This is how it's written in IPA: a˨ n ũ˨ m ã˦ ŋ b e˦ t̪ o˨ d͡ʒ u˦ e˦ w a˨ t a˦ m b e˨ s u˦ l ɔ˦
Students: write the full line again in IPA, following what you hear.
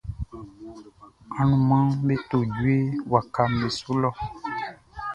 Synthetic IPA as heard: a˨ n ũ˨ m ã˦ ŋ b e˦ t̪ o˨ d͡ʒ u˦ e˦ w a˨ k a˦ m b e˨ s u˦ l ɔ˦